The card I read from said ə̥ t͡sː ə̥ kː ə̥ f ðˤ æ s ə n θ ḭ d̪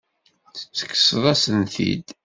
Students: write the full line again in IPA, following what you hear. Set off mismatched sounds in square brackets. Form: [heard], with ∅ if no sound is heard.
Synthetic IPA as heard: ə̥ t͡sː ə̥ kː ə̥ [s] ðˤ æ s ə n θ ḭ d̪